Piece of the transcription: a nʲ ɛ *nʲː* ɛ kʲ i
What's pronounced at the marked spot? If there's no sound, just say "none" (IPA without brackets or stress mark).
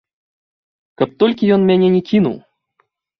nʲ